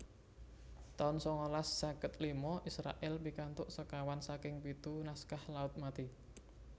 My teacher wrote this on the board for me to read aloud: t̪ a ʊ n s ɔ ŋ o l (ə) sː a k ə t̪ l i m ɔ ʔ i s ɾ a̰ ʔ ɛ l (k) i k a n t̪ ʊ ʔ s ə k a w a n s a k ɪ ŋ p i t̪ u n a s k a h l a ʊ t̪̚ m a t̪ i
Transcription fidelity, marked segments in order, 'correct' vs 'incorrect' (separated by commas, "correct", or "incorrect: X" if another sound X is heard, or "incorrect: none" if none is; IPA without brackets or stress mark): incorrect: a, incorrect: p